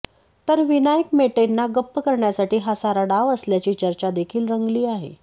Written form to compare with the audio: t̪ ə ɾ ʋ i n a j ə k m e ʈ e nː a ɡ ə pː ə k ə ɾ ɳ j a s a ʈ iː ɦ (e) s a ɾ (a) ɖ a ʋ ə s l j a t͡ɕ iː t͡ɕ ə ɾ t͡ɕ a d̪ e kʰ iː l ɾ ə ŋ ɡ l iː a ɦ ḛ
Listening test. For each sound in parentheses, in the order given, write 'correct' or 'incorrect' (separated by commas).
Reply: incorrect, correct